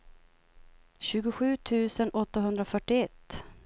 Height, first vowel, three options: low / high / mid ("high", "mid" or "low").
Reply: high